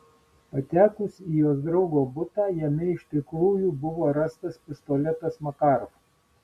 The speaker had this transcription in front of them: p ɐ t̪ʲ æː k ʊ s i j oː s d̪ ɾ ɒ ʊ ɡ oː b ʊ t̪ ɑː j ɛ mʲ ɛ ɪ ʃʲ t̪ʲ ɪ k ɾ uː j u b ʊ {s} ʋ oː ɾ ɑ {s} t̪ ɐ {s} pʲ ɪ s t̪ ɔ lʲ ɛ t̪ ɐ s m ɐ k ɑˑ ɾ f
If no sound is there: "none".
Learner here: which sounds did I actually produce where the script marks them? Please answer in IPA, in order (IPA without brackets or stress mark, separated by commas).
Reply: none, s, s